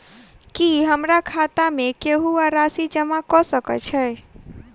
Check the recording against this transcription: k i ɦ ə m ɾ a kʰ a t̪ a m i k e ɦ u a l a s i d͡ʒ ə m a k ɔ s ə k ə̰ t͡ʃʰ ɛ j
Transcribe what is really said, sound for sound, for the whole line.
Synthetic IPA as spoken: k i ɦ ə m ɾ a kʰ a t̪ a m e k e ɦ u a ɾ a s i d͡ʒ ə m a k ɔ s ə k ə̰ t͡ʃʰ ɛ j